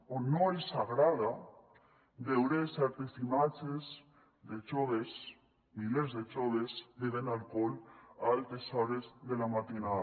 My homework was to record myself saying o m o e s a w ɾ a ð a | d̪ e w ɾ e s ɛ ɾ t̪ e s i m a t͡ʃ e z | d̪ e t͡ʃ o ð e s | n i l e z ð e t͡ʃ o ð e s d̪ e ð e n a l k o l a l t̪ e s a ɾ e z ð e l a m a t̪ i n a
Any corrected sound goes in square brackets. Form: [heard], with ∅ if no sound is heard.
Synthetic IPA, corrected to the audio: o [n] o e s a [ɣ] ɾ a ð a | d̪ e w ɾ e s ɛ ɾ t̪ e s i m a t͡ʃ e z | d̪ e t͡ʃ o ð e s | [m] i l e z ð e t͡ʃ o ð e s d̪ e ð e n a l k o l a l t̪ e s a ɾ e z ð e l a m a t̪ i n a